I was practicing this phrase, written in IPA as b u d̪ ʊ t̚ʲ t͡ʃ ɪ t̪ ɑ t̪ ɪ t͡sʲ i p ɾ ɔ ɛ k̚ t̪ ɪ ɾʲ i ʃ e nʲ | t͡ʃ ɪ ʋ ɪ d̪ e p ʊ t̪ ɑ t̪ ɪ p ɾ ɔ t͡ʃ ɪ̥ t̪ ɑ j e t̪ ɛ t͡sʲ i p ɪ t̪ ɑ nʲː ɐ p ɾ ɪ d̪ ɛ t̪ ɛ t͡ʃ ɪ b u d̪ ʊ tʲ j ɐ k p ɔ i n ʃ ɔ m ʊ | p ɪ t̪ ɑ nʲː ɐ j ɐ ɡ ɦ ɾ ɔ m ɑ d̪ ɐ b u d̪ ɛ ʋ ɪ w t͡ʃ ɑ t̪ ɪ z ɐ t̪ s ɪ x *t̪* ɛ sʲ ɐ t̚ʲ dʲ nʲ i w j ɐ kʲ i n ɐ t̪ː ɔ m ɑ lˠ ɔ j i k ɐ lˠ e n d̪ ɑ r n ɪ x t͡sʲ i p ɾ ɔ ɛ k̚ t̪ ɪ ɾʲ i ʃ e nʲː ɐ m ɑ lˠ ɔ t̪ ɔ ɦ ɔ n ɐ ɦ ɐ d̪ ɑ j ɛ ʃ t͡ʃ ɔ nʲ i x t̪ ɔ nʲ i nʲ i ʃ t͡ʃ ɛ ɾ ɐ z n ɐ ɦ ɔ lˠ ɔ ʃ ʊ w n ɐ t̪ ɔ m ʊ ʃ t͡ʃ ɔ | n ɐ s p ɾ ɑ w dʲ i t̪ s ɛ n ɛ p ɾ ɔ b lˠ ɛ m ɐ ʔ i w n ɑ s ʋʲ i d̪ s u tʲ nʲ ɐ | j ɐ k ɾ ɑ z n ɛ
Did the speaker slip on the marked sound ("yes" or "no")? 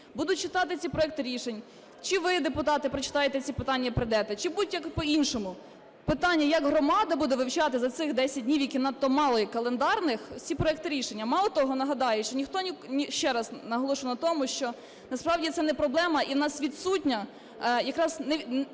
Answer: yes